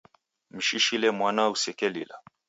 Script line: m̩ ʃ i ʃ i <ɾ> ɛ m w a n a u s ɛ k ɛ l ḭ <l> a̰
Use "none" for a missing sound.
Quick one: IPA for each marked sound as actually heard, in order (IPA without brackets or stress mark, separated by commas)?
l, l